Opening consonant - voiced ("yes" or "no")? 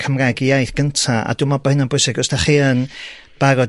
no